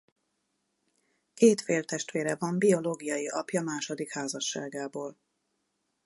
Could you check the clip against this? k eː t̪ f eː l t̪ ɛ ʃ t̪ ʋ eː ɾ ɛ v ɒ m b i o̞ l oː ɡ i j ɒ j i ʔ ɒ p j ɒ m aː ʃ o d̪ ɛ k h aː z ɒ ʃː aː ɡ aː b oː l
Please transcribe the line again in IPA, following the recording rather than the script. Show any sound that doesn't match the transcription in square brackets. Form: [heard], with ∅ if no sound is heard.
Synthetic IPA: k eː t̪ f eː l t̪ ɛ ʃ t̪ ʋ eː ɾ ɛ v ɒ m b i o̞ l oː ɡ i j ɒ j i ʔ ɒ p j ɒ m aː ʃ o d̪ [i] k h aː z ɒ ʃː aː ɡ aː b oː l